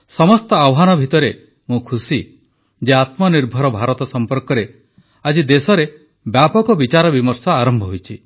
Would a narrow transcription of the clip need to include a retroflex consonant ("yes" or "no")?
no